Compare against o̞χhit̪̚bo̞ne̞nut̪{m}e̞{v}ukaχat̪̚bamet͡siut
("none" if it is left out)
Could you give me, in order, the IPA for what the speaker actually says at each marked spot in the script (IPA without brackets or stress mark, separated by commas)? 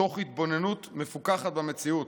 m, f